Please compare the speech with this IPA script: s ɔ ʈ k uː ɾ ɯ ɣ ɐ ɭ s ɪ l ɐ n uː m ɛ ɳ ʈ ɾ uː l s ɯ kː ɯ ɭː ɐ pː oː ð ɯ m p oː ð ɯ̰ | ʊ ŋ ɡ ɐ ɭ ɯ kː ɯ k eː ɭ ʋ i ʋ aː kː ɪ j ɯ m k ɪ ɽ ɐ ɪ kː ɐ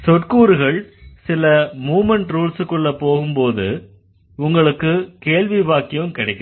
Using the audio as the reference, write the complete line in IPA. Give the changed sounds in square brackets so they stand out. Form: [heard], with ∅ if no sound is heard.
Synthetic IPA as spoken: s ɔ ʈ k uː ɾ ɯ ɣ ɐ ɭ s ɪ l ɐ [m] uː m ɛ ɳ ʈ ɾ uː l s ɯ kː ɯ ɭː ɐ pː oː [ɣ] ɯ m p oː ð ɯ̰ | ʊ ŋ ɡ ɐ ɭ ɯ kː ɯ k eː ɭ ʋ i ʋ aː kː ɪ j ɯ m k ɪ ɽ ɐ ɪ kː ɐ